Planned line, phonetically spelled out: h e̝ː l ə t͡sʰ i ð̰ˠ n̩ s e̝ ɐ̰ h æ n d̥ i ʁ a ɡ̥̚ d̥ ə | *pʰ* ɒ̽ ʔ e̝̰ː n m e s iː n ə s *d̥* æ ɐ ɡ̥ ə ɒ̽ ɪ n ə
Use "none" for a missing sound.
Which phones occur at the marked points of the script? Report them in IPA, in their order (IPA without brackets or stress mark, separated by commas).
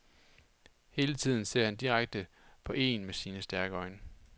pʰ, d̥